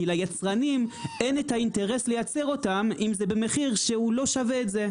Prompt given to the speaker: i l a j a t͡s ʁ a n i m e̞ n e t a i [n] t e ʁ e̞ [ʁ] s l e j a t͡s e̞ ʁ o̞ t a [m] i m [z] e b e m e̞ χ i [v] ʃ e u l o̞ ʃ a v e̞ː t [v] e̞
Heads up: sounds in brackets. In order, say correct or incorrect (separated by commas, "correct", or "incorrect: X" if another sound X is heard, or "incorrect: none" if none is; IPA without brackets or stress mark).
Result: correct, incorrect: none, correct, correct, incorrect: ʁ, incorrect: z